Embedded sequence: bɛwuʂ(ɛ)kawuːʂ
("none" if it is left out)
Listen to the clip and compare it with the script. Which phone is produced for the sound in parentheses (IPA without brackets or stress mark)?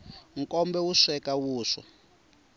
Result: ɛ